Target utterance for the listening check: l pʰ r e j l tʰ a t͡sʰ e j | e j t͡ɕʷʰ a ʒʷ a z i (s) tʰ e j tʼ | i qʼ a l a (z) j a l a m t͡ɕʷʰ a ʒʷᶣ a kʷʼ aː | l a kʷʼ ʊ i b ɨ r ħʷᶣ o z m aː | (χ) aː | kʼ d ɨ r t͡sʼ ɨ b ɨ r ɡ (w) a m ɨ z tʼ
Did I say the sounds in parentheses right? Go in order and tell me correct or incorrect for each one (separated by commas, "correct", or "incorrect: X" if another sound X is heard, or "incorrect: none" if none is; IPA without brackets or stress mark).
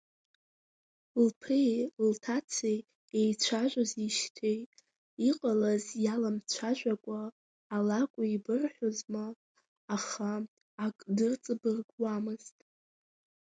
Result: incorrect: ʃ, correct, correct, correct